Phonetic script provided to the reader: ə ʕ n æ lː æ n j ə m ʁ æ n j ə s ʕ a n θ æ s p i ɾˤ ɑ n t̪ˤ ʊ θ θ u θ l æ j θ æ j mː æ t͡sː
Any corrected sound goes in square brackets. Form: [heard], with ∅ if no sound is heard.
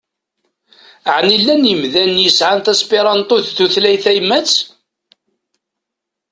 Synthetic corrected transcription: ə ʕ n [i] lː æ n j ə m [ð] æ n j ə s ʕ a n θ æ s p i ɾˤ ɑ n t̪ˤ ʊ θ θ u θ l æ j θ æ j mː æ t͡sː